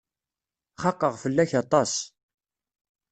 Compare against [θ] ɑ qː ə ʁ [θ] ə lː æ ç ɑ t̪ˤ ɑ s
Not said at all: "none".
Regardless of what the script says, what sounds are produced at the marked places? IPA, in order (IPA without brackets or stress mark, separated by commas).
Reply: χ, f